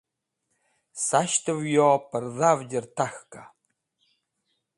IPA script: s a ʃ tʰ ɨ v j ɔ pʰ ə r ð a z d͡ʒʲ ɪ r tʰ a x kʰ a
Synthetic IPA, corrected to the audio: s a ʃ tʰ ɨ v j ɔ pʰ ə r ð a v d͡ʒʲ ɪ r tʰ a x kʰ a